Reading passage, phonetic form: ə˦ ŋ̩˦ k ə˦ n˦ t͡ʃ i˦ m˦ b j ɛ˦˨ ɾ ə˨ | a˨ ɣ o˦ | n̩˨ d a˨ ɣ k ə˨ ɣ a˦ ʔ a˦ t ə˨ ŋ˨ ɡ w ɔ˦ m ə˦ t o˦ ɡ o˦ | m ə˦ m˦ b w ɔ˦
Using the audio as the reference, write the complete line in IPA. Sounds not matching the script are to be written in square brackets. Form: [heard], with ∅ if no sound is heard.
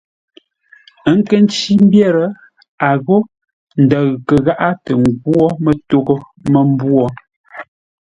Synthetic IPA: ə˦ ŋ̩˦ k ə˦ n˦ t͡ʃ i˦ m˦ b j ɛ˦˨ ɾ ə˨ | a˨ ɣ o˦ | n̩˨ d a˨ ɣ k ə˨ ɣ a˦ ʔ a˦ t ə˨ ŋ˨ ɡ w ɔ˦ m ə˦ t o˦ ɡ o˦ | m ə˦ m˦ b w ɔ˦